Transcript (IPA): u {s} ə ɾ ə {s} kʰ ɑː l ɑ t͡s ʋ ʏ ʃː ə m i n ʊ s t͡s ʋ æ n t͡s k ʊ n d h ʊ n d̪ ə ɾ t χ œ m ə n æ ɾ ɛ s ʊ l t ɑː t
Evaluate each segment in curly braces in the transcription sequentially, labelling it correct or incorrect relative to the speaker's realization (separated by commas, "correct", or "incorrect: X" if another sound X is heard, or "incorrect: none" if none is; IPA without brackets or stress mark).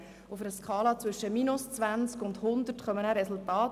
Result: incorrect: f, correct